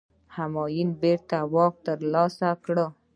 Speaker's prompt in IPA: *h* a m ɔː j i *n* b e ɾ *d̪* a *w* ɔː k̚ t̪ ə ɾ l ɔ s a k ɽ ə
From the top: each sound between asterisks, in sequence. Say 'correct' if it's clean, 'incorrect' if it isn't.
correct, correct, incorrect: t̪, correct

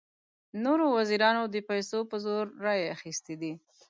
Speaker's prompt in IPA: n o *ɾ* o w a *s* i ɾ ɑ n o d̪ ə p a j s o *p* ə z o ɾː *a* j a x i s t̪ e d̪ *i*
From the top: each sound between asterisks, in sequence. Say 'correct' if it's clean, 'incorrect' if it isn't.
correct, incorrect: z, correct, incorrect: ɑ, correct

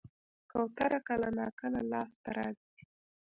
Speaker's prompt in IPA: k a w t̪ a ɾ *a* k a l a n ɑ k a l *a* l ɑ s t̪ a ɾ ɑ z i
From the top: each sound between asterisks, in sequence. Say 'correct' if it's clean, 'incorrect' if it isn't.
correct, correct

